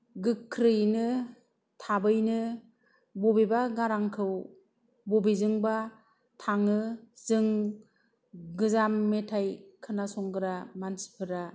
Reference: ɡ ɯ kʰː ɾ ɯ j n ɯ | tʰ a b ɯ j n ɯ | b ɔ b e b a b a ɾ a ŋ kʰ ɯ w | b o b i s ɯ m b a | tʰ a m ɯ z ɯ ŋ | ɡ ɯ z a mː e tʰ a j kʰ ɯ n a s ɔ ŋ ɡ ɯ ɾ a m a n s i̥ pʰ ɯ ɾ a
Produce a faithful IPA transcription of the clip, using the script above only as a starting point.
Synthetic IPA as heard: ɡ ɯ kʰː ɾ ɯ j n ɯ | tʰ a b ɯ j n ɯ | b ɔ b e b a ɡ a ɾ a ŋ kʰ ɯ w | b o b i z ɯ ŋ b a | tʰ a ŋ ɯ z ɯ ŋ | ɡ ɯ z a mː e tʰ a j kʰ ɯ n a s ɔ ŋ ɡ ɯ ɾ a m a n s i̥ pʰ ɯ ɾ a